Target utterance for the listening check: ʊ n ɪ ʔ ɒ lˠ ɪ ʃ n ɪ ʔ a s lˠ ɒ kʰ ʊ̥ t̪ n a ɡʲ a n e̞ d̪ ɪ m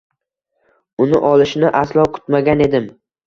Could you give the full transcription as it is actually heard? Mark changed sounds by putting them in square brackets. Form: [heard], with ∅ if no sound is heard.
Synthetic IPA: ʊ n ɪ ʔ ɒ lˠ ɪ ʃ n ɪ ʔ a s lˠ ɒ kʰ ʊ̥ t̪ [m] a ɡʲ a n e̞ d̪ ɪ m